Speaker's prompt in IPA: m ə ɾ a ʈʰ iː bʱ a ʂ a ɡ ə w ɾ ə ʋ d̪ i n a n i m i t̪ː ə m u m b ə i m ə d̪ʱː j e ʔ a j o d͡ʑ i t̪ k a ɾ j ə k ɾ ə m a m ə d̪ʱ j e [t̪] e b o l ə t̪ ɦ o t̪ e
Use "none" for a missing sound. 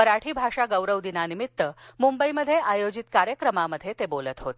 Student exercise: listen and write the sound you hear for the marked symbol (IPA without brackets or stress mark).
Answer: t̪